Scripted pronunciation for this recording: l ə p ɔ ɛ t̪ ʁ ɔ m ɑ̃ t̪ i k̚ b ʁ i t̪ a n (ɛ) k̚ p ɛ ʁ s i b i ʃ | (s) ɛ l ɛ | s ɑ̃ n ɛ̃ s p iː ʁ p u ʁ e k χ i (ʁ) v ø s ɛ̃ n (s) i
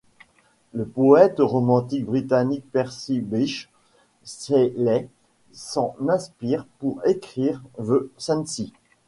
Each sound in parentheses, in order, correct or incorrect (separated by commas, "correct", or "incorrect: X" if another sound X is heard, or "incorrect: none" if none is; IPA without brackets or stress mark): incorrect: i, correct, correct, correct